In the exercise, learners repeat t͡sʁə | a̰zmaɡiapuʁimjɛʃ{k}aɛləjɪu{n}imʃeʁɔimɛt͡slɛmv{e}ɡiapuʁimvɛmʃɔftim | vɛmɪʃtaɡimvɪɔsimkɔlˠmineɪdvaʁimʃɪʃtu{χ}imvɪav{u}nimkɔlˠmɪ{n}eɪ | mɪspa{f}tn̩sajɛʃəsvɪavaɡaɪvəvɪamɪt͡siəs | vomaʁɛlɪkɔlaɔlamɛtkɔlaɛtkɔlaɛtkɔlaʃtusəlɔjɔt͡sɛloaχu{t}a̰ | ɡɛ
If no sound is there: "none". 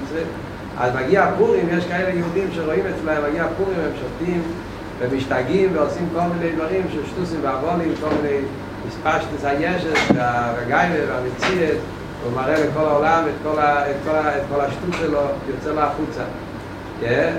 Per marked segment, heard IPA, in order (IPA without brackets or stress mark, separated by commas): k, d, a, s, ɔ, n, ʃ, t͡s